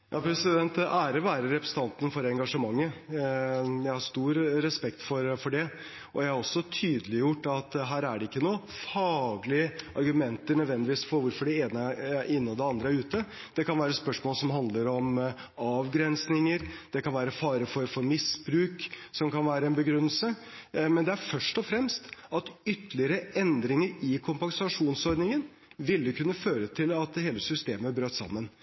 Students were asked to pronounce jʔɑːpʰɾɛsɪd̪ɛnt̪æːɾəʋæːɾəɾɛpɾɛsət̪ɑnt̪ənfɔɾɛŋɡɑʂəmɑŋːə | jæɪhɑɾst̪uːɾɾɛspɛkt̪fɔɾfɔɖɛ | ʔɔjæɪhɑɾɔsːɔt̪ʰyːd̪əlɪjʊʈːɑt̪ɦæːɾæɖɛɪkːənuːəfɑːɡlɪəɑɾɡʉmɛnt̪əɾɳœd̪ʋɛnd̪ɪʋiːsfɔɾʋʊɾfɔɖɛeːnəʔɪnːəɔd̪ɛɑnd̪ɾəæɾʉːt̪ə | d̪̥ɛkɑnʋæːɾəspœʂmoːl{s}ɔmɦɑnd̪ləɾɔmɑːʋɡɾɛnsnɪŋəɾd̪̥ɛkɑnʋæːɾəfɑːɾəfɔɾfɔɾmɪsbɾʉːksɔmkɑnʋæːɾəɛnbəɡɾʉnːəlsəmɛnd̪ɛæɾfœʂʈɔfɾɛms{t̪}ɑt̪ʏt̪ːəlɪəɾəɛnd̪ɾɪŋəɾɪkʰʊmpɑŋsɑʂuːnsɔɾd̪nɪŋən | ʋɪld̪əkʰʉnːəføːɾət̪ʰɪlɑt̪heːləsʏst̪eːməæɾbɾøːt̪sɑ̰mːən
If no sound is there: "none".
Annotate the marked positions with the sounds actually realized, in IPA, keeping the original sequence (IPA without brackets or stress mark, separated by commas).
s, t̪